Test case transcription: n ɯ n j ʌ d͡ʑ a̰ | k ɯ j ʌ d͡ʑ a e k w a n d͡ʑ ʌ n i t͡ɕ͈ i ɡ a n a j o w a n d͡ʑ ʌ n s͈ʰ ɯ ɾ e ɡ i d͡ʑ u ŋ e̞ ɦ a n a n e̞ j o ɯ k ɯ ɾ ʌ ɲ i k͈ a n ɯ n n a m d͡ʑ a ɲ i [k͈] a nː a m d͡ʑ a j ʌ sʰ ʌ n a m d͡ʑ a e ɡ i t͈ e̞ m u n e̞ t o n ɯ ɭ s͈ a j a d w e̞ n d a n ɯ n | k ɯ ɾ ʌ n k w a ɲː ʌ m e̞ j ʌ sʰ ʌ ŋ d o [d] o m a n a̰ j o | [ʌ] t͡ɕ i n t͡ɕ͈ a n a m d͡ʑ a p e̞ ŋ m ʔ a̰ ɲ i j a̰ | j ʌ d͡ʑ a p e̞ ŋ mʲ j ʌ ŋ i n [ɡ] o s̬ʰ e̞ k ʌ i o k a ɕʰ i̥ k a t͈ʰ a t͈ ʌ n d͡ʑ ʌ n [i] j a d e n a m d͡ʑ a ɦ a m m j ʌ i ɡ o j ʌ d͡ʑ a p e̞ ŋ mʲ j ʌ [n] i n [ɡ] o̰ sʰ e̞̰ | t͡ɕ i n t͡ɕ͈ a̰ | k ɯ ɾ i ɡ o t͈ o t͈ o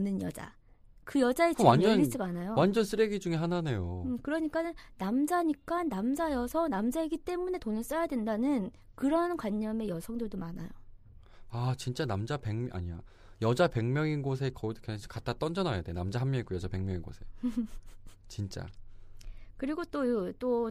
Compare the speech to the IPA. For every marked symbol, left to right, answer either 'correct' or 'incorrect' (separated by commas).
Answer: correct, correct, incorrect, correct, incorrect, incorrect, correct